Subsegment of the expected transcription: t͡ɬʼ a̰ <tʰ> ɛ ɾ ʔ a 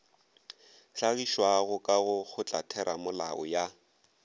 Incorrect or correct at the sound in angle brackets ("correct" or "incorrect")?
correct